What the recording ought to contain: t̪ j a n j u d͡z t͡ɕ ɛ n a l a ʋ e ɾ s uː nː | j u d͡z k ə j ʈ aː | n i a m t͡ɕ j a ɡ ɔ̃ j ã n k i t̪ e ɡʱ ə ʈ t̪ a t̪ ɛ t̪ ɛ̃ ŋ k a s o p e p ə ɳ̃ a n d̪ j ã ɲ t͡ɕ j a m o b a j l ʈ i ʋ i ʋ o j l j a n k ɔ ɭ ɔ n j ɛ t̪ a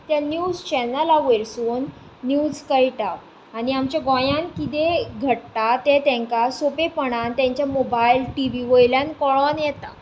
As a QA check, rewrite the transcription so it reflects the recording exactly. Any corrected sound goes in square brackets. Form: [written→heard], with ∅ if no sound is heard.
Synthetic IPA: t̪ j a n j u d͡z t͡ɕ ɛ n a l a ʋ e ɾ s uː nː | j u d͡z k ə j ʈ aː | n i a m t͡ɕ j a ɡ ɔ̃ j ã n k i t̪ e ɡʱ ə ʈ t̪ a t̪ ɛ t̪ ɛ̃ ŋ k a s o p e p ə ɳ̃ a n [d̪→t̪] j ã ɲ t͡ɕ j a m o b a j l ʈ i ʋ i ʋ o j l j a n k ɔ ɭ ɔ n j ɛ t̪ a